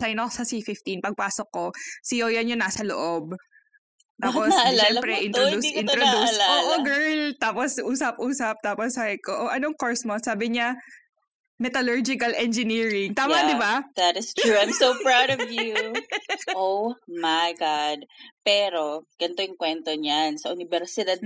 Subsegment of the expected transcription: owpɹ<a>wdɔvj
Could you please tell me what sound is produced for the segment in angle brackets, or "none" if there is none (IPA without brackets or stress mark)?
a